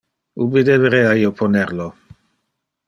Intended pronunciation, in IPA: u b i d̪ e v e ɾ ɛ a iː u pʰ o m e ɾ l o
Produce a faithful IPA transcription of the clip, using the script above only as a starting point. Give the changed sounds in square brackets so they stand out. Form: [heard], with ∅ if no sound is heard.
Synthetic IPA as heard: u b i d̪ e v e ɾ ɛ a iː [o] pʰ o [n] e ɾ l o

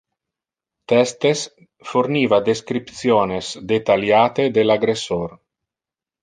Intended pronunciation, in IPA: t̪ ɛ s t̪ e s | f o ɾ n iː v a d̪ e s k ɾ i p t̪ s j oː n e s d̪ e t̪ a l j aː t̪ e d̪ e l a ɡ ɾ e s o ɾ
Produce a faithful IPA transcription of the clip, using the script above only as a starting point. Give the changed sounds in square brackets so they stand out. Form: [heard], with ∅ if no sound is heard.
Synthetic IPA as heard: t̪ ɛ s t̪ e s | f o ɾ n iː v a d̪ e s k ɾ i p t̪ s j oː n e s d̪ e t̪ a l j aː t̪ e d̪ e l a ɡ ɾ e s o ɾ

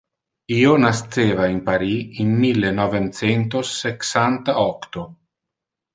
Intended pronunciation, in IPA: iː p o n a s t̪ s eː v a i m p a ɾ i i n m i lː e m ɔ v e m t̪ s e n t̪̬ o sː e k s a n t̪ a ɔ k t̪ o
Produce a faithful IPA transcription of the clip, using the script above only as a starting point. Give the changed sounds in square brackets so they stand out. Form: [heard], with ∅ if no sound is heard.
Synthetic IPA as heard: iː [∅] o n a s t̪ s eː v a i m p a ɾ i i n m i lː e [n] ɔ v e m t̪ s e n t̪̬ o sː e k s a n t̪ a ɔ k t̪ o

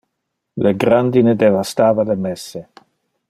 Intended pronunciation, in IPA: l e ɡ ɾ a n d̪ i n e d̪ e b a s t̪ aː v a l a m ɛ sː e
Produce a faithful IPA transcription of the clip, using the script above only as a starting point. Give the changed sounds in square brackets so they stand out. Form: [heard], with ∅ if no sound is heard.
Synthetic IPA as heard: l e ɡ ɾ a n d̪ i n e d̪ e [v] a s t̪ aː v a l [e] m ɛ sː e

